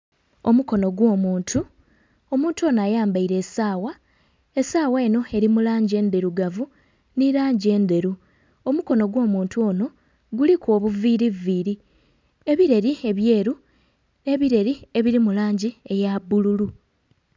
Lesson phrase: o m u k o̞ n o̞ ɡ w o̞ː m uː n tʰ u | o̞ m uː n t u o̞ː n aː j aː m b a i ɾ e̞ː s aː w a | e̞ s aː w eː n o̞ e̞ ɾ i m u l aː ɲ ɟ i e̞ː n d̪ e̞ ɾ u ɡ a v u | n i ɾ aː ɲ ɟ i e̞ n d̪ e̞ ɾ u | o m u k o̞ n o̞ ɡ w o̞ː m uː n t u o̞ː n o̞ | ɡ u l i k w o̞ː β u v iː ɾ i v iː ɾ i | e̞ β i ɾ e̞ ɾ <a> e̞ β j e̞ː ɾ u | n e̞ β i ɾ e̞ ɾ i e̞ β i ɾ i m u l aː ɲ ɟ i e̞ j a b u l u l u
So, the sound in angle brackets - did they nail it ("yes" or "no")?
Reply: no